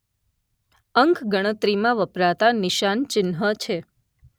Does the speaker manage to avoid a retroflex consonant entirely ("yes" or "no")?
no